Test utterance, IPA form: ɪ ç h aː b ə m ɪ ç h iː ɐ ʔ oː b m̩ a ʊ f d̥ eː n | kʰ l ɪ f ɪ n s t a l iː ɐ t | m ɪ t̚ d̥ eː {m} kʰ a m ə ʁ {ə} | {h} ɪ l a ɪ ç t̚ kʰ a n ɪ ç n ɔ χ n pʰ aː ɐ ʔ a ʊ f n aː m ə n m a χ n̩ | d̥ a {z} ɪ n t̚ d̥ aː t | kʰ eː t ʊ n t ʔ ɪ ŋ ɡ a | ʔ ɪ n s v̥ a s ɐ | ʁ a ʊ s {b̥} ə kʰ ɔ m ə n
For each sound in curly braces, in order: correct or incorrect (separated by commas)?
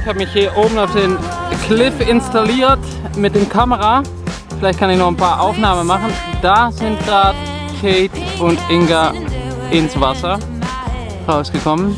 correct, incorrect, incorrect, correct, incorrect